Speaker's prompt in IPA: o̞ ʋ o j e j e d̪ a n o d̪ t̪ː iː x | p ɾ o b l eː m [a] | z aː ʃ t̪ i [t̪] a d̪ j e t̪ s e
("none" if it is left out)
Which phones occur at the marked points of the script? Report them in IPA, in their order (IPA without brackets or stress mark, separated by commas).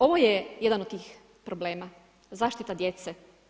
a, t̪